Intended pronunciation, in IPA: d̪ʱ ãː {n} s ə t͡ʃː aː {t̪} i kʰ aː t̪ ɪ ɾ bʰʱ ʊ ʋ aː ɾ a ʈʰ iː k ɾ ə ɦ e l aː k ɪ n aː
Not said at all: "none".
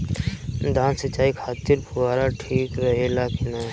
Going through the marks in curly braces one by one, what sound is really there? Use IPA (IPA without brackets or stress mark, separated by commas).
n, none